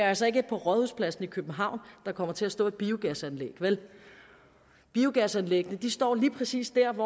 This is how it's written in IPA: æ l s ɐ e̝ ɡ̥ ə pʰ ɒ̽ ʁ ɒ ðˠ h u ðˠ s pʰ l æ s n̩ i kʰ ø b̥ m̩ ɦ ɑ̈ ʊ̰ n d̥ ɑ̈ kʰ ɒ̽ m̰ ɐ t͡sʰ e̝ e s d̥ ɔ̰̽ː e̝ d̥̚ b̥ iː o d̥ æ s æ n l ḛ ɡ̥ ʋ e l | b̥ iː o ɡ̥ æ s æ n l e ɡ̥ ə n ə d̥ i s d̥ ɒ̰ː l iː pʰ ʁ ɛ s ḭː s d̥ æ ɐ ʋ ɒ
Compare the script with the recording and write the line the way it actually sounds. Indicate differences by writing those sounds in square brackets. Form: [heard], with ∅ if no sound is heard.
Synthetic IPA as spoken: æ l s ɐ e̝ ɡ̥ ə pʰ ɒ̽ ʁ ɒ ðˠ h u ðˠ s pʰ l æ s n̩ i kʰ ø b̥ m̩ ɦ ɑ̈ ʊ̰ n d̥ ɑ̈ kʰ ɒ̽ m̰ ɐ t͡sʰ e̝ [æ] s d̥ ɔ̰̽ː e̝ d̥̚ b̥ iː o [ɡ̥] æ s æ n l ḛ ɡ̥ ʋ e l | b̥ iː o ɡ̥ æ s æ n l e ɡ̥ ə n ə d̥ i s d̥ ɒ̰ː l iː pʰ ʁ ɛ s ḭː s d̥ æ ɐ ʋ ɒ